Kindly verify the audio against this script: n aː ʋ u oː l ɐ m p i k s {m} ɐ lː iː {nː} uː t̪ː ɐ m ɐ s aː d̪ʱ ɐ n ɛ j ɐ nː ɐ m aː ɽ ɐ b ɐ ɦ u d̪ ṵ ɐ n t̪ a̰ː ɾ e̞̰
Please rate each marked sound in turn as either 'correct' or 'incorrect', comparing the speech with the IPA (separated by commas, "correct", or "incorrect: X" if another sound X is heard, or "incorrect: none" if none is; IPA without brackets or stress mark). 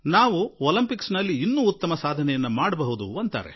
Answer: incorrect: n, correct